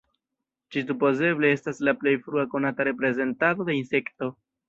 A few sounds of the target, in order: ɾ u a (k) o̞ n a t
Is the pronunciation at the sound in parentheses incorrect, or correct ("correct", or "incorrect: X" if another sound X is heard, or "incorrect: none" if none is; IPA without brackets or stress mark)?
correct